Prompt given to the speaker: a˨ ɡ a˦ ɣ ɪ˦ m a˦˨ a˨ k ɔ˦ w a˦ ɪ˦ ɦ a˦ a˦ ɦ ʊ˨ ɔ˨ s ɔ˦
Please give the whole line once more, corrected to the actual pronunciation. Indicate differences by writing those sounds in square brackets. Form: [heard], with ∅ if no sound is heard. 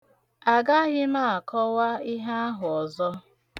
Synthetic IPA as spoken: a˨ ɡ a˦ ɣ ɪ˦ m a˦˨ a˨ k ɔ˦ w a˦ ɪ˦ ɦ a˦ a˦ ɦ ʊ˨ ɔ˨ [z] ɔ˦